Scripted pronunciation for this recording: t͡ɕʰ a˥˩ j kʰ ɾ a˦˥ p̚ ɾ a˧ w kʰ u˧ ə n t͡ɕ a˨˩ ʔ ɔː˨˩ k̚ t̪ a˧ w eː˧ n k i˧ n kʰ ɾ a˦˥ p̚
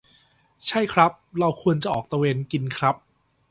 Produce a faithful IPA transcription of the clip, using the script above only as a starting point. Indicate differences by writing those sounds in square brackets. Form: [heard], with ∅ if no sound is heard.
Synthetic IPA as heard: t͡ɕʰ a˥˩ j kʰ ɾ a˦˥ p̚ ɾ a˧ w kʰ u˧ ə n t͡ɕ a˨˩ ʔ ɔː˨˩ k̚ t̪ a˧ w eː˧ n k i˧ n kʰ ɾ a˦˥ p̚